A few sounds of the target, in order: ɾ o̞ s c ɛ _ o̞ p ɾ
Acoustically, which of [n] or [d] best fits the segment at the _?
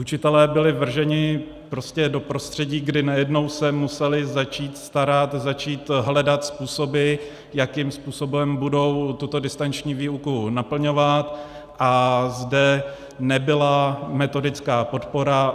d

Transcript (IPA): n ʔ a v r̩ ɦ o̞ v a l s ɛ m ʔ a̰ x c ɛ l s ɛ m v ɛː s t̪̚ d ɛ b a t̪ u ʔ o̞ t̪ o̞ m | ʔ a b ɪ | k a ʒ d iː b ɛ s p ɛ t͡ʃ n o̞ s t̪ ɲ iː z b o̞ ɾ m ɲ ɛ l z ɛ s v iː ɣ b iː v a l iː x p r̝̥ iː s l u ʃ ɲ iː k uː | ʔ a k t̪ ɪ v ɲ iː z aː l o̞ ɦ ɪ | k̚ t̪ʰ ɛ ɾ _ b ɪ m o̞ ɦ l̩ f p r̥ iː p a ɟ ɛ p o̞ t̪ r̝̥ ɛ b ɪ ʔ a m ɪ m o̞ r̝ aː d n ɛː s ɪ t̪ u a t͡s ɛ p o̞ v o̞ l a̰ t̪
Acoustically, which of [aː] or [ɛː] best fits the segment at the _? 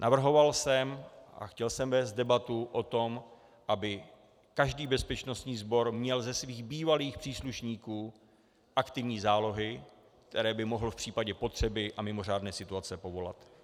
ɛː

